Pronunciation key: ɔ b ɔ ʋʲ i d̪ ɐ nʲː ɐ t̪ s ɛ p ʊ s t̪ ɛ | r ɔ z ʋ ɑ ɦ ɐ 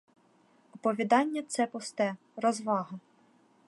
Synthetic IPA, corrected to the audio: ɔ p ɔ ʋʲ i d̪ ɑ nʲː ɐ t̪ s ɛ p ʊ s t̪ ɛ | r ɔ z ʋ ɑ ɦ ɐ